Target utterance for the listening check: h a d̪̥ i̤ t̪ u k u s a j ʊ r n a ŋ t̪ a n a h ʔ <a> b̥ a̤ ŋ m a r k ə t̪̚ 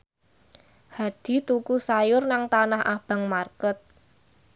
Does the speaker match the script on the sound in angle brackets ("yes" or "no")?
yes